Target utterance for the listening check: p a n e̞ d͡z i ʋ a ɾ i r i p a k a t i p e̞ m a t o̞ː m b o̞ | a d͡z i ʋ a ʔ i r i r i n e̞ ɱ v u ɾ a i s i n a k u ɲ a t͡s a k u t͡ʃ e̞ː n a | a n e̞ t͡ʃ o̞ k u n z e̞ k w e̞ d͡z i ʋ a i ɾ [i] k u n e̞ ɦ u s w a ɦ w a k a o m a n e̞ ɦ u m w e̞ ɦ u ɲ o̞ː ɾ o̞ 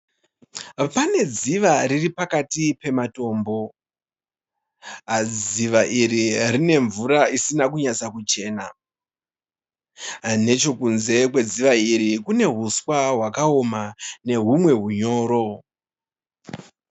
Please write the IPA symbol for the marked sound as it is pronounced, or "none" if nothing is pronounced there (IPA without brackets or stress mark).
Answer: i